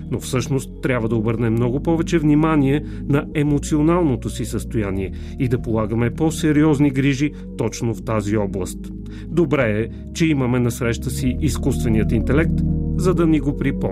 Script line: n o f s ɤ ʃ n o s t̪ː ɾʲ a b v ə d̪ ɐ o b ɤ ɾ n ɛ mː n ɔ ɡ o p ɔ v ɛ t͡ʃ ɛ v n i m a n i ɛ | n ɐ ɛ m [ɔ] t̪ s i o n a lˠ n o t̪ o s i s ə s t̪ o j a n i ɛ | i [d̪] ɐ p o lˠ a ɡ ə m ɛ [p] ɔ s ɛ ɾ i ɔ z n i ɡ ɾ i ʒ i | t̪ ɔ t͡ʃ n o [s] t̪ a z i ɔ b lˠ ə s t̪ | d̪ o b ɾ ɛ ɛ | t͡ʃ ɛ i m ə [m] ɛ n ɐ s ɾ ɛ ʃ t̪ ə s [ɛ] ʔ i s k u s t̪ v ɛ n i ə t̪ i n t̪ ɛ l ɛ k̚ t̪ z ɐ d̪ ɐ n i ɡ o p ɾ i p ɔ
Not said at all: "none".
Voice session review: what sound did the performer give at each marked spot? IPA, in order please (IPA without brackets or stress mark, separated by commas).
o, d̪, p, f, m, i